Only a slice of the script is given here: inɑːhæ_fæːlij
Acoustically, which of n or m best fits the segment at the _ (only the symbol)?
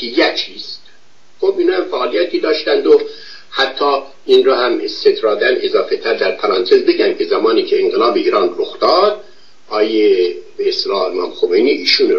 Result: m